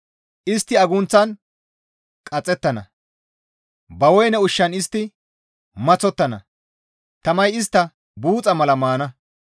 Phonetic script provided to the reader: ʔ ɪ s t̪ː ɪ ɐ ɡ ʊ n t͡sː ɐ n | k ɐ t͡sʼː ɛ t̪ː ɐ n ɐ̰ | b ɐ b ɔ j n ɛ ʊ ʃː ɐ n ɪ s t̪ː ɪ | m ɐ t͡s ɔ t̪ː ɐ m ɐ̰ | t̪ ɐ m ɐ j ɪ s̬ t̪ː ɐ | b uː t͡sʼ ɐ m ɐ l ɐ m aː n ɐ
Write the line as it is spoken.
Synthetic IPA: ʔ ɪ s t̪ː ɪ ɐ ɡ ʊ n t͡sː ɐ n | kʼ ɐ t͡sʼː ɛ t̪ː ɐ n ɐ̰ | b ɐ w ɔ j n ɛ ʊ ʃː ɐ n ɪ s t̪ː ɪ | m ɐ t͡s ɔ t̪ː ɐ n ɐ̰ | t̪ ɐ m ɐ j ɪ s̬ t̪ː ɐ | b uː t͡sʼ ɐ m ɐ l ɐ m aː n ɐ